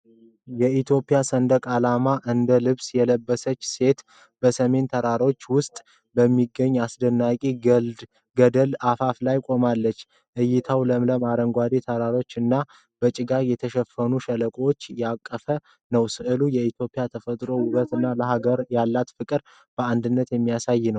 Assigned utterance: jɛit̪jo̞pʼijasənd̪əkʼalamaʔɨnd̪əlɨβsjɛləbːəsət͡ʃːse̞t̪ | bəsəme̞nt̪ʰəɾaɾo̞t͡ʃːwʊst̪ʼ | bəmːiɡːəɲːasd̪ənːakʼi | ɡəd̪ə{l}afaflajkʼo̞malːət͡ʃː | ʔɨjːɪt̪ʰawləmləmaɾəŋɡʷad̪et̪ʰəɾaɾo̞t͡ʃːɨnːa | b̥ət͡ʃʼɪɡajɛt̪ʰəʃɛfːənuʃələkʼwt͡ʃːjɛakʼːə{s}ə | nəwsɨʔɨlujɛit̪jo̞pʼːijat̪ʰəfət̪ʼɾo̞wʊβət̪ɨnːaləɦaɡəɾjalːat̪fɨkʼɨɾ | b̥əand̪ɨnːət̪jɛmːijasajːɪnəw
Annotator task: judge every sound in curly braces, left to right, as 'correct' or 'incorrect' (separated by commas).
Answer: correct, incorrect